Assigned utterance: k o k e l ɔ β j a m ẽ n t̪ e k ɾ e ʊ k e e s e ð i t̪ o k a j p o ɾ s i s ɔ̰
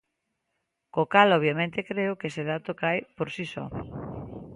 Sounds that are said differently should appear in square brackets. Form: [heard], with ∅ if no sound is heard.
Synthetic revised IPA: k o k [a] l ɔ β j a m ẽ n t̪ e k ɾ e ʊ k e e s e ð [a] t̪ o k a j p o ɾ s i s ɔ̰